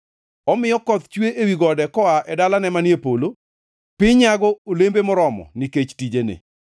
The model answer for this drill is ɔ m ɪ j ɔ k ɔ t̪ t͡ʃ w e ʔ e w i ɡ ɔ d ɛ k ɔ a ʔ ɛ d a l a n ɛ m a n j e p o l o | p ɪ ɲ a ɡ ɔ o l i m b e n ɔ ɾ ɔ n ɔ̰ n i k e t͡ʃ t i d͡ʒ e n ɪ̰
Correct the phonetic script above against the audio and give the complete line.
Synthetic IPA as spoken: ɔ m ɪ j ɔ k ɔ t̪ t͡ʃ w e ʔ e w i ɡ ɔ d ɛ k ɔ a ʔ ɛ d a l a n ɛ m a n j e p o l o | p ɪ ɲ a ɡ ɔ o l e m b e m ɔ ɾ ɔ m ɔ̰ n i k e t͡ʃ t i d͡ʒ e n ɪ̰